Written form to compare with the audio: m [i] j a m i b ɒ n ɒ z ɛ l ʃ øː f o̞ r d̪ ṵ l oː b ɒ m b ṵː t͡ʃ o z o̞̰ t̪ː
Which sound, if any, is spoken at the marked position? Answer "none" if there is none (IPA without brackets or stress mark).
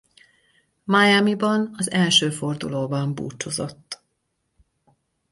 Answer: a